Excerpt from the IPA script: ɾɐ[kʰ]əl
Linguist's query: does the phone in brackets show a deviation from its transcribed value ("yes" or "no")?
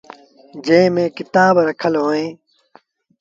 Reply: no